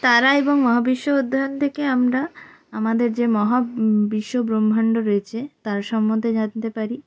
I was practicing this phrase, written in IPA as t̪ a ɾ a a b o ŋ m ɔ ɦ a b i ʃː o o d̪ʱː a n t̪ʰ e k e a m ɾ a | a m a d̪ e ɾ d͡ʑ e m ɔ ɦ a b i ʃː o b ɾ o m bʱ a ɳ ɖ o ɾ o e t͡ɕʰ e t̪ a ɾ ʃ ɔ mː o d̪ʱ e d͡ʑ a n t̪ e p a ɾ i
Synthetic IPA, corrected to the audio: t̪ a ɾ a e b o ŋ m ɔ ɦ a b i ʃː o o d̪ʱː a n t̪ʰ e k e a m ɾ a | a m a d̪ e ɾ d͡ʑ e m ɔ ɦ a b i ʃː o b ɾ o m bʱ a ɳ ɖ o ɾ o e t͡ɕʰ e t̪ a ɾ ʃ ɔ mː o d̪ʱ e d͡ʑ a n t̪ e p a ɾ i

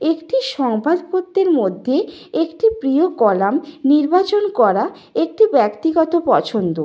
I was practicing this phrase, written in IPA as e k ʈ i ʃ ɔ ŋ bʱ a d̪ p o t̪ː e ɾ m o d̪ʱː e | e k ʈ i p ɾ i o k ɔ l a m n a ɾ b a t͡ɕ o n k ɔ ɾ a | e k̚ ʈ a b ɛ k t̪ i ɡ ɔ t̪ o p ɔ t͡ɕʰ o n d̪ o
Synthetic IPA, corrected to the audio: e k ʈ i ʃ ɔ ŋ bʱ a d̪ p o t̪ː e ɾ m o d̪ʱː e | e k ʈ i p ɾ i o k ɔ l a m n i ɾ b a t͡ɕ o n k ɔ ɾ a | e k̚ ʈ i b ɛ k t̪ i ɡ ɔ t̪ o p ɔ t͡ɕʰ o n d̪ o

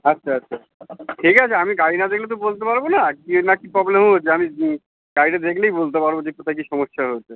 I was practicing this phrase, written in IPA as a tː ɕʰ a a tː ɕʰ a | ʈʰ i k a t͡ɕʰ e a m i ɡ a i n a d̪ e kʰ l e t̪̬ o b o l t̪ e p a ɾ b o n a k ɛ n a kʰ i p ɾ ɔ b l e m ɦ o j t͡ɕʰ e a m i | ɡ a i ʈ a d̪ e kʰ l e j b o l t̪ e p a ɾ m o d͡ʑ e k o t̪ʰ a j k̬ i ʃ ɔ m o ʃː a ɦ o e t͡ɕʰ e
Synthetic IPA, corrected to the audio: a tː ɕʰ a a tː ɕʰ a | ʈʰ i k a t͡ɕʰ e a m i ɡ a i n a d̪ e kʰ l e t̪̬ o b o l t̪ e p a ɾ b o n a k i n a k i p ɾ ɔ b l e m ɦ o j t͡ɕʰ e a m i | ɡ a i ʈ a d̪ e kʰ l e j b o l t̪ e p a ɾ b o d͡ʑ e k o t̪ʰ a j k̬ i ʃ ɔ m o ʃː a ɦ o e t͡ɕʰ e

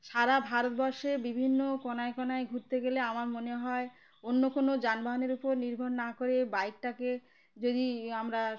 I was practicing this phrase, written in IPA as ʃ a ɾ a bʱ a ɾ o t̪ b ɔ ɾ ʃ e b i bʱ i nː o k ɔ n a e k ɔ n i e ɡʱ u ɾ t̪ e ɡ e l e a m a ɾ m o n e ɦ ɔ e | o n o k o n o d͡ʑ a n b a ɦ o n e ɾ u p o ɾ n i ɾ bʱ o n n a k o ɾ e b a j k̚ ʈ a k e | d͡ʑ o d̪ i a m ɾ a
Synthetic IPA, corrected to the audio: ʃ a ɾ a bʱ a ɾ o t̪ b ɔ ɾ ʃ e b i bʱ i nː o k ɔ n a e k ɔ n a e ɡʱ u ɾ t̪ e ɡ e l e a m a ɾ m o n e ɦ ɔ e | o nː o k o n o d͡ʑ a n b a ɦ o n e ɾ u p o ɾ n i ɾ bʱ o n n a k o ɾ e b a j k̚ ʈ a k e | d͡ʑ o d̪ i a m ɾ a

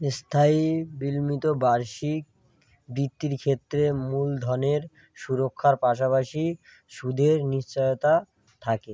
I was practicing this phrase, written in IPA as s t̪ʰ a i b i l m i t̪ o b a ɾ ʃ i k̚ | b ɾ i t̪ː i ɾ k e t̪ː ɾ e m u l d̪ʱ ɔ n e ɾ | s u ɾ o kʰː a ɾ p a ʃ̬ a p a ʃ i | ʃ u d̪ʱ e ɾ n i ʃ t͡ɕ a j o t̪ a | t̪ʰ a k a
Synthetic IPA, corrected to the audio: s t̪ʰ a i b i l m i t̪ o b a ɾ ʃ i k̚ | b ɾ i t̪ː i ɾ kʰ e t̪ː ɾ e m u l d̪ʱ ɔ n e ɾ | ʃ u ɾ o kʰː a ɾ p a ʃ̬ a p a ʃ i | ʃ u d̪ʱ e ɾ n i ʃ t͡ɕ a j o t̪ a | t̪ʰ a k e

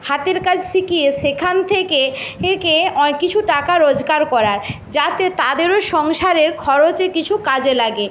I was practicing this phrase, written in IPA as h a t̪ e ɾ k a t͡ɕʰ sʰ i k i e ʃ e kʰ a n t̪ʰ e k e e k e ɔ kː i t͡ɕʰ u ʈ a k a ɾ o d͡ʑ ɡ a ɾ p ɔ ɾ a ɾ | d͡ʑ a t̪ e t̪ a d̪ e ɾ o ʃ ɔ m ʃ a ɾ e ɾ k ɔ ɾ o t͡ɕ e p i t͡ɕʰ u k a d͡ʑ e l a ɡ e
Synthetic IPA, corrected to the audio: h a t̪ e ɾ k a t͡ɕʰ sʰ i k i e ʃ e kʰ a n t̪ʰ e k e e k e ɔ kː i t͡ɕʰ u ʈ a k a ɾ o d͡ʑ ɡ a ɾ k ɔ ɾ a ɾ | d͡ʑ a t̪ e t̪ a d̪ e ɾ o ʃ ɔ ŋ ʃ a ɾ e ɾ kʰ ɔ ɾ o t͡ɕ e k i t͡ɕʰ u k a d͡ʑ e l a ɡ e

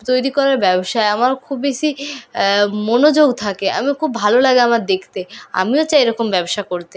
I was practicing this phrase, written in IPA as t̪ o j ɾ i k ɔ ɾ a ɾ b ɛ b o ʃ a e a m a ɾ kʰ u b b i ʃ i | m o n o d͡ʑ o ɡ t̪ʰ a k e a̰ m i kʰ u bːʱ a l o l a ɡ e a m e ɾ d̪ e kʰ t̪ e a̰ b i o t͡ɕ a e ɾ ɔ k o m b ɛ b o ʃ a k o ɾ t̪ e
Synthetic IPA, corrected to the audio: t̪ o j ɾ i k ɔ ɾ a ɾ b ɛ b o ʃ a e a m a ɾ kʰ u b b e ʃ i | m o n o d͡ʑ o ɡ t̪ʰ a k e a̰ m i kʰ u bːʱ a l o l a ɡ e a m a ɾ d̪ e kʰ t̪ e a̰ m i o t͡ɕ a e ɾ ɔ k o m b ɛ b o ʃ a k o ɾ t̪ e

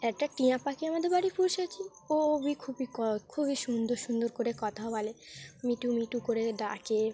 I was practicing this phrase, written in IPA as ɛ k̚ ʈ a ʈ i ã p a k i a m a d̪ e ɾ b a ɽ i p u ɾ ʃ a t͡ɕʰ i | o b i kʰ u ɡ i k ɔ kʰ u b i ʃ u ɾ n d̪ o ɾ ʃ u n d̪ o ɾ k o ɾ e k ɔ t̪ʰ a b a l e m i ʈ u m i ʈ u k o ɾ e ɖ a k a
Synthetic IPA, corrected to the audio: ɛ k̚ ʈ a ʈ i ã p a k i a m a d̪ e ɾ b a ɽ i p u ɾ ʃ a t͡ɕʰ i | o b i kʰ u b i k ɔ kʰ u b i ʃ u n d̪ o ɾ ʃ u n d̪ o ɾ k o ɾ e k ɔ t̪ʰ a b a l e m i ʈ u m i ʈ u k o ɾ e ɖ a k e

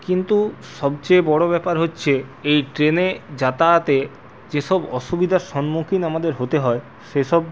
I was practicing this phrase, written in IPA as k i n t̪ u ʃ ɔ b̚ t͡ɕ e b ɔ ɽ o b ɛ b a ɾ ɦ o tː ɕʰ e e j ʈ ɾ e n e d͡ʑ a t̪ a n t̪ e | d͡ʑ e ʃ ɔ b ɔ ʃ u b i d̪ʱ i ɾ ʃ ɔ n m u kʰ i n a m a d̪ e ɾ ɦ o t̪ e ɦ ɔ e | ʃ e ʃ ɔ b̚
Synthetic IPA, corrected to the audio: k i n t̪ u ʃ ɔ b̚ t͡ɕ e b ɔ ɽ o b ɛ p a ɾ ɦ o tː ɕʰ e e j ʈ ɾ e n e d͡ʑ a t̪ a t̪ e | d͡ʑ e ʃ ɔ b ɔ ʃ u b i d̪ʱ a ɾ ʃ ɔ n m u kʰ i n a m a d̪ e ɾ ɦ o t̪ e ɦ ɔ e | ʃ e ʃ ɔ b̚

